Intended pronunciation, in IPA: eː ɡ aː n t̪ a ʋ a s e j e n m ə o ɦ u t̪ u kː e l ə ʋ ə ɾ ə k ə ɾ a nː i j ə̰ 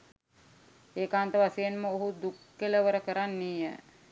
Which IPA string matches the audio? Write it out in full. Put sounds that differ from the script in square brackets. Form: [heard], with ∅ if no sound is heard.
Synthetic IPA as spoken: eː [k] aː n t̪ [ə] ʋ a s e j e n m ə o ɦ u [d̪] u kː e l ə ʋ ə ɾ ə k ə ɾ a nː i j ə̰